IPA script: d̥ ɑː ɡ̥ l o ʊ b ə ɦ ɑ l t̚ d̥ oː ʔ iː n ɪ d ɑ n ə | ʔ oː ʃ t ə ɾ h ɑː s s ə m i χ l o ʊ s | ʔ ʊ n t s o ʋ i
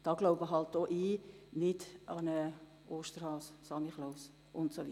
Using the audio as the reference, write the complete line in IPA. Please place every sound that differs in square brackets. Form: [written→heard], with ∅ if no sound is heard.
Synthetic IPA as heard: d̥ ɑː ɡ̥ l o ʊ b ə ɦ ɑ l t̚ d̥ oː ʔ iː n ɪ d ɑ n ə | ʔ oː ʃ t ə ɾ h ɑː s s [ə→ɑ] m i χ l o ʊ s | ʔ ʊ n t s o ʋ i

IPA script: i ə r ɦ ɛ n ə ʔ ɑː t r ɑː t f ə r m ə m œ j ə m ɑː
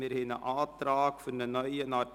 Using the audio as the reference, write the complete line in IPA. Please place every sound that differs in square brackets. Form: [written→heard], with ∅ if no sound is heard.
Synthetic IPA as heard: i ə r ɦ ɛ n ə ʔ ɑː t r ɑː [t→k] f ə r [m→n] ə [m→n] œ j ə [m→n] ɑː

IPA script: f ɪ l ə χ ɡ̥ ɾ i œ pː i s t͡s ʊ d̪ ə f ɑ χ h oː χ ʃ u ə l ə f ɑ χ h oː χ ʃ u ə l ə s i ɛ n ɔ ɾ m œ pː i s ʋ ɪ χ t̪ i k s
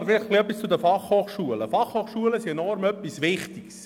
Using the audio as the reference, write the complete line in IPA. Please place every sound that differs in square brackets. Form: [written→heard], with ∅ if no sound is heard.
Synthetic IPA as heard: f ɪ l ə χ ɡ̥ [ɾ→l] i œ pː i s t͡s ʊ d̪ ə f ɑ χ h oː χ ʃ u ə l ə f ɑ χ h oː χ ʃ u ə l ə s i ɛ n ɔ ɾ m œ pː i s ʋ ɪ χ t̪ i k s

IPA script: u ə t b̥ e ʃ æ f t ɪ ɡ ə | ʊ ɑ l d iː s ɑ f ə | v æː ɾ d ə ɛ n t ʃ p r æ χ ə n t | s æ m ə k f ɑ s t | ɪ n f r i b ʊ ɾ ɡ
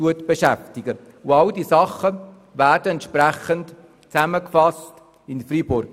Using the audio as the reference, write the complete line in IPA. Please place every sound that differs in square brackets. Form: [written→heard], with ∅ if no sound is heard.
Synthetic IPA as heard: u ə t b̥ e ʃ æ f t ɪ ɡ ə | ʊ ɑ l d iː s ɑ [f→χ] ə | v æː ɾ d ə ɛ n t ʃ p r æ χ ə n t | [s→t͡s] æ m ə k f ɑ s t | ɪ n f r i b ʊ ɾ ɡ

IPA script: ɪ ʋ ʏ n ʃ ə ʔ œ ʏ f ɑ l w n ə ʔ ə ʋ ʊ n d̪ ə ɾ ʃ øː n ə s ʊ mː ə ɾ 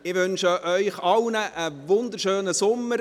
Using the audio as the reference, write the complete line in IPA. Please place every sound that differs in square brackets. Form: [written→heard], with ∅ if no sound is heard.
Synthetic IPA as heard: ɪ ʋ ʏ n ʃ ə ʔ œ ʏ [f→χ] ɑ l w n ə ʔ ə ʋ ʊ n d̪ ə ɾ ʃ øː n ə s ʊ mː ə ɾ

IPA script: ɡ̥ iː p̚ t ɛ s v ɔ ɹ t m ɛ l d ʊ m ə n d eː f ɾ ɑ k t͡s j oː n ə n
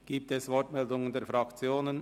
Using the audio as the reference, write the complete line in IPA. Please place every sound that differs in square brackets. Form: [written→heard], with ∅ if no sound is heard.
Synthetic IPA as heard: ɡ̥ iː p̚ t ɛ s v ɔ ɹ t m ɛ l d ʊ [m→ŋ] ə n d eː f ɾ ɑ k t͡s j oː n ə n

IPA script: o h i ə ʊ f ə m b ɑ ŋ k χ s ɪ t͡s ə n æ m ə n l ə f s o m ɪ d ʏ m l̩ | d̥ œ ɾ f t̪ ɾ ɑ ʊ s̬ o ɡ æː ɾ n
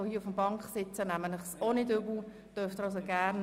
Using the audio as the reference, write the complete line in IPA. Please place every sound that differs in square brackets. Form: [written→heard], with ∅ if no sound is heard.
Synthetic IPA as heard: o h i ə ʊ f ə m b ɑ ŋ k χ s ɪ t͡s ə n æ m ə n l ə [f→χ] s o [m→n] ɪ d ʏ [m→b] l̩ | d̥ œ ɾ f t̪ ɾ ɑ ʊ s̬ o ɡ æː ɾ n

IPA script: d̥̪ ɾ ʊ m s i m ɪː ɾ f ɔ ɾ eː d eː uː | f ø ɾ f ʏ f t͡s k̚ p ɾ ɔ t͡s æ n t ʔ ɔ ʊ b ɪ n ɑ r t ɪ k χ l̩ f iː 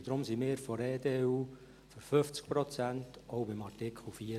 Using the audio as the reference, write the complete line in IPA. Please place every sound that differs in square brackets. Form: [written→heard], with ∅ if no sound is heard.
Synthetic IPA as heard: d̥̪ ɾ ʊ m s i m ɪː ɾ f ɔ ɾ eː d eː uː | f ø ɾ f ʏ f t͡s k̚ p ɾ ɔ t͡s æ n t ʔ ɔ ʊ b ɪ [n→m] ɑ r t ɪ k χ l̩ f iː

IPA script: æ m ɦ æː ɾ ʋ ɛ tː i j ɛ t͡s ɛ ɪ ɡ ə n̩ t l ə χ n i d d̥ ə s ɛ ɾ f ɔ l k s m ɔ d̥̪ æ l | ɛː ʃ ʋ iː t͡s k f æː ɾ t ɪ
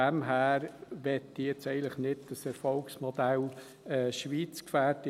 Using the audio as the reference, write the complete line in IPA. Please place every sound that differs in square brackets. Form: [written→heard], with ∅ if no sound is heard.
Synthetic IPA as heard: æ m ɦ æː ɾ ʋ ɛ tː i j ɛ t͡s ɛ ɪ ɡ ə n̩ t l ə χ n [i→ɪ] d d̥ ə s ɛ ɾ f ɔ l k s m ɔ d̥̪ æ l | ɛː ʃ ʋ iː t͡s k f æː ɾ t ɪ

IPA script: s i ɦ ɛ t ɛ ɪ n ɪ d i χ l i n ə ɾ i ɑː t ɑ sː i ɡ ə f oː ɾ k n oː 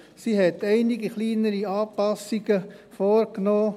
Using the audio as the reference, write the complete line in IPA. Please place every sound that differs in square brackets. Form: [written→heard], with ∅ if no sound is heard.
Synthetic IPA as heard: s i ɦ ɛ t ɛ ɪ n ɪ [d→ɡ] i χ l [i→iː] n ə ɾ i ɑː [t→p] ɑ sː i ɡ ə f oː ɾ k n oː

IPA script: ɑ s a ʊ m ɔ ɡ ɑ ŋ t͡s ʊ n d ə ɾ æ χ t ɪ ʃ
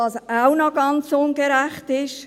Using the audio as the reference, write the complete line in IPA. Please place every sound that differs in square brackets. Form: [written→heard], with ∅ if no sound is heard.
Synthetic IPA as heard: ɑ s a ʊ [m→n] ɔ ɡ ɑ [ŋ→n] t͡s ʊ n [d→ɡ] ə ɾ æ χ t ɪ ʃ

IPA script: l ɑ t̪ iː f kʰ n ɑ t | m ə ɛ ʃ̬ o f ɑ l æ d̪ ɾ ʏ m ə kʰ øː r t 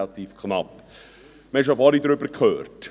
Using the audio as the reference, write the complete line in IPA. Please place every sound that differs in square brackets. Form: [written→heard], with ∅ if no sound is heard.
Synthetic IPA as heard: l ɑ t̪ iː f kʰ n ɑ [t→p] | m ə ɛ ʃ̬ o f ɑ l [æ→i] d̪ ɾ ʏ [m→b] ə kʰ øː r t

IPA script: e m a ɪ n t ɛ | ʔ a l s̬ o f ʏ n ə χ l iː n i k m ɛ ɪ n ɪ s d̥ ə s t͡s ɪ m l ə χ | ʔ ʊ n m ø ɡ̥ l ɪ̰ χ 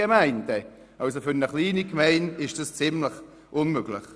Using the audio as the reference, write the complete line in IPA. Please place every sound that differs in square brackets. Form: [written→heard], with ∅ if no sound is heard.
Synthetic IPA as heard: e m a ɪ n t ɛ | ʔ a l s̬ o f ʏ n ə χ l iː n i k m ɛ ɪ n ɪ [s→ʃ] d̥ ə s t͡s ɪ m l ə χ | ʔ ʊ n m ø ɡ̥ l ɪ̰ χ

